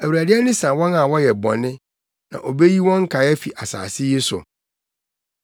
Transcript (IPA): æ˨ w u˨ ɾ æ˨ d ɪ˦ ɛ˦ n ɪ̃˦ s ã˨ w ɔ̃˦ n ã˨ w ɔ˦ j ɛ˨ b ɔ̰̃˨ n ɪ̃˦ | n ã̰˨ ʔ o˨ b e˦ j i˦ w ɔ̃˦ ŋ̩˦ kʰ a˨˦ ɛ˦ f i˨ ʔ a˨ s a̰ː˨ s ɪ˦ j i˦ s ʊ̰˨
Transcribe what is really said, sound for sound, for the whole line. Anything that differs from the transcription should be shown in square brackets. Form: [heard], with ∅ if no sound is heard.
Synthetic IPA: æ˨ w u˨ ɾ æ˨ d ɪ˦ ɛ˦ n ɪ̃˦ s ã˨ w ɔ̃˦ n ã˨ w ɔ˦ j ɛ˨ b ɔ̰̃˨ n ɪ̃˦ | n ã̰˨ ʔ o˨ b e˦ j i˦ w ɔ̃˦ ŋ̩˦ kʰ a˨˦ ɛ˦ f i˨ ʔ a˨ s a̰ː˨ s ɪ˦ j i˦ s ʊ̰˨